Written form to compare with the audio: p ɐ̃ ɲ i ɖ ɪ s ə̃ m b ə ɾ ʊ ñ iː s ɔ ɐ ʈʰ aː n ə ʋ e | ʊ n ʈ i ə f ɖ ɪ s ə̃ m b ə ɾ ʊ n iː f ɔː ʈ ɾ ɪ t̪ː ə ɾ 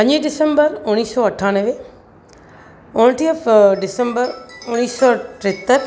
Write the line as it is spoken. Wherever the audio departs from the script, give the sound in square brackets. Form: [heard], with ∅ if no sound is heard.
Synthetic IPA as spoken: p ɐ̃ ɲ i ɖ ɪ s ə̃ m b ə ɾ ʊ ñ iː s ɔ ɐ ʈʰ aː n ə ʋ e | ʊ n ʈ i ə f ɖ ɪ s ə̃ m b ə ɾ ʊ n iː [s] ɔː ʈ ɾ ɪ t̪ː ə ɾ